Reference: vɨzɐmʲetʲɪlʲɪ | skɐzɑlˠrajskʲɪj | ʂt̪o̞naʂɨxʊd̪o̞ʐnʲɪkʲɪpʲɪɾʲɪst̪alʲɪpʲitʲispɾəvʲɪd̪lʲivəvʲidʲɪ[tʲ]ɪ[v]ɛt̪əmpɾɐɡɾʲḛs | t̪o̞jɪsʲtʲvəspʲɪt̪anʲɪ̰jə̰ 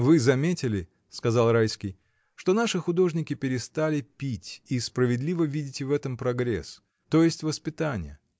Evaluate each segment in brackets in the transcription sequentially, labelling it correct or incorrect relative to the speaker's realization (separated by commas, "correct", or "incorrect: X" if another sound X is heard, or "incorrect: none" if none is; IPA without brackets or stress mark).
correct, correct